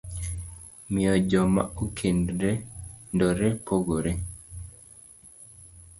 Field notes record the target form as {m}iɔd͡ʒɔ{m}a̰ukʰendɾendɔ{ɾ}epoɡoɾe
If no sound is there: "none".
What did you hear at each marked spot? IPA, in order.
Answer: m, m, ɾ

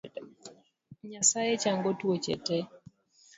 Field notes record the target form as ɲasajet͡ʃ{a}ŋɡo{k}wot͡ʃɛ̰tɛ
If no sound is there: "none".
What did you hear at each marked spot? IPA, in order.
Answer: a, t

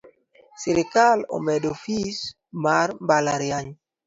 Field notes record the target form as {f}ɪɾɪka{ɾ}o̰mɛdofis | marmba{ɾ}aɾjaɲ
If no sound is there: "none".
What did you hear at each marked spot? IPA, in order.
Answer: s, l, l

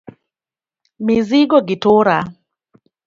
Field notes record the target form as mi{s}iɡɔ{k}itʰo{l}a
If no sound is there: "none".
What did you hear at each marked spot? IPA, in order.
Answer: z, ɡ, ɾ

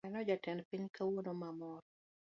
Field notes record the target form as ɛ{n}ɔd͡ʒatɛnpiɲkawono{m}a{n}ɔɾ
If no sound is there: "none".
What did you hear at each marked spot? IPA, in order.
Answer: n, m, m

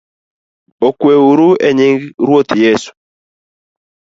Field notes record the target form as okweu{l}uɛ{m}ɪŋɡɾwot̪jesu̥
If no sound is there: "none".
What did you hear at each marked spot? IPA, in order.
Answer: ɾ, ɲ

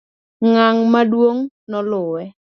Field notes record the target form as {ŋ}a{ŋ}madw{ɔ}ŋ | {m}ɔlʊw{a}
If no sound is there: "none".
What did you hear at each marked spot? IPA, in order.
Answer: ŋ, ŋ, o, n, ɛ

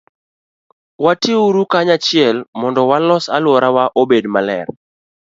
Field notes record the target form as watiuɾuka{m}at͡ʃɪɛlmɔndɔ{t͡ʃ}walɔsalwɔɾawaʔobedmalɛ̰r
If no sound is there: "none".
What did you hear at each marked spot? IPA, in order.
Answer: ɲ, none

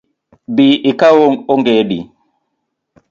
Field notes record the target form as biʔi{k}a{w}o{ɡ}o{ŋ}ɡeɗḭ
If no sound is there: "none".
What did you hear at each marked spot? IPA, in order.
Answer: k, w, ŋ, ŋ

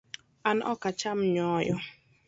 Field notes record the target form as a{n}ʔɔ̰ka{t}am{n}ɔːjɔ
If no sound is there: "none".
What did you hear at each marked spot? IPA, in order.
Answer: n, t͡ʃ, ɲ

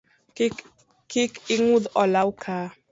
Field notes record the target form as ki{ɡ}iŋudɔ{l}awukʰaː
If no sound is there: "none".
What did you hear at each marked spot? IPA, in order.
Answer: k, l

